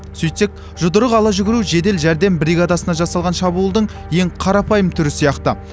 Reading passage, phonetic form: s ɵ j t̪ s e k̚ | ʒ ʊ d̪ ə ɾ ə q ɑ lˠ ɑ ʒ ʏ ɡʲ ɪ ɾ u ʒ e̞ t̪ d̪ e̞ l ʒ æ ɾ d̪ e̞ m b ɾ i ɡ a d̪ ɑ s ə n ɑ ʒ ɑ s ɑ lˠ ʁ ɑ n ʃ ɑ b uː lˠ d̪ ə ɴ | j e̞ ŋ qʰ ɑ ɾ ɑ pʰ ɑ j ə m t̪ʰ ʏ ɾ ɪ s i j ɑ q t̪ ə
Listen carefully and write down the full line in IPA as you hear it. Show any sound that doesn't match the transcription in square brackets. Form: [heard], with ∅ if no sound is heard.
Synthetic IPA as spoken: s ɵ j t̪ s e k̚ | ʒ ʊ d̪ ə ɾ ə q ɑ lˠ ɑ ʒ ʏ ɡʲ ɪ ɾ u ʒ e̞ [∅] d̪ e̞ l ʒ æ ɾ d̪ e̞ m b ɾ i ɡ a d̪ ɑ s ə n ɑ ʒ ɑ s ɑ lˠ ʁ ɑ n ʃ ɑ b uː lˠ d̪ ə ɴ | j e̞ ŋ qʰ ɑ ɾ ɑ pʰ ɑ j ə m t̪ʰ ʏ ɾ ɪ s i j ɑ q t̪ ə